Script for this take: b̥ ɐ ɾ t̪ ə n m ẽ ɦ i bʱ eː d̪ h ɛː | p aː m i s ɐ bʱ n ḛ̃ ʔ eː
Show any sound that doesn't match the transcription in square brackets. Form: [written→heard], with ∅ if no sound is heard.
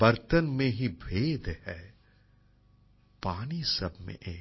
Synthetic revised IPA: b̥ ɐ ɾ t̪ ə n m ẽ ɦ i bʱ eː d̪ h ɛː | p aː [m→n] i s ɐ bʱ [n→m] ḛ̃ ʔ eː